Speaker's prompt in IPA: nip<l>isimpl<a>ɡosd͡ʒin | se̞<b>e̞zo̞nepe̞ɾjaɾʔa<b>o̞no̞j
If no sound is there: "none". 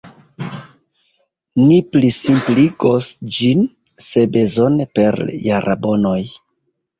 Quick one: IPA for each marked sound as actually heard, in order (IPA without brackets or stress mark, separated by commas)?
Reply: l, i, b, b